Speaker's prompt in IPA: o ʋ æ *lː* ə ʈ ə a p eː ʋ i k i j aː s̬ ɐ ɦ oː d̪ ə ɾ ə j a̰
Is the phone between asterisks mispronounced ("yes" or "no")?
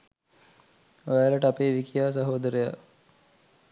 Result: yes